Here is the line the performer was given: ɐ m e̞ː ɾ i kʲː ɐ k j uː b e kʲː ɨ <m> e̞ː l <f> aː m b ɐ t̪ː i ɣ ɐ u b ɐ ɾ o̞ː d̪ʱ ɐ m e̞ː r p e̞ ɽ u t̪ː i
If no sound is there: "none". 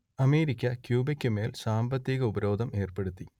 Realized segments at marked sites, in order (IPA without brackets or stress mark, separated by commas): m, s